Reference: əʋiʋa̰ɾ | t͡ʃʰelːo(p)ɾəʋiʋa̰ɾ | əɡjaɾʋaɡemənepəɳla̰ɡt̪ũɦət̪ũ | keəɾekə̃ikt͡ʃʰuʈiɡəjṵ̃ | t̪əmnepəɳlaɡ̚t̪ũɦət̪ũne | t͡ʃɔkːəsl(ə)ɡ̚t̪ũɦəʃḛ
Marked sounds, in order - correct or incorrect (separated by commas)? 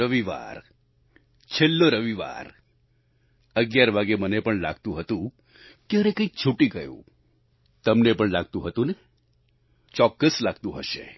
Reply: incorrect, incorrect